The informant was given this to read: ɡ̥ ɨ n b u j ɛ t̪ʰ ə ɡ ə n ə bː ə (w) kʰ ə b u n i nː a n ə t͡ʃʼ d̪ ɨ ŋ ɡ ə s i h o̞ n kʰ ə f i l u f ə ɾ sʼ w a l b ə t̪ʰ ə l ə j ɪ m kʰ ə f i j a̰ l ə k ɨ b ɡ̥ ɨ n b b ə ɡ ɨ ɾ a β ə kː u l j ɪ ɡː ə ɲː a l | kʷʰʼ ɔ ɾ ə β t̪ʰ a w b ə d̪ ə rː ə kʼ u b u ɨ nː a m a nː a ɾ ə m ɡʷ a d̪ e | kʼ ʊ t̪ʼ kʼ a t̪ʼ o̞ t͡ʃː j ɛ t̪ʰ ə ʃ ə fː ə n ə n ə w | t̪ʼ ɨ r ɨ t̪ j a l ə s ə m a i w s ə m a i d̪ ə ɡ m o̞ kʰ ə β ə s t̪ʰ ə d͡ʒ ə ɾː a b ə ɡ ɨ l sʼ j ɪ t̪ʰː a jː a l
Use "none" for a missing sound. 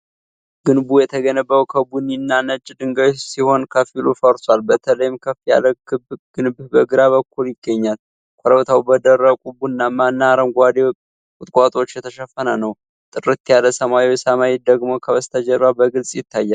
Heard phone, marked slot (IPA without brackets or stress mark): w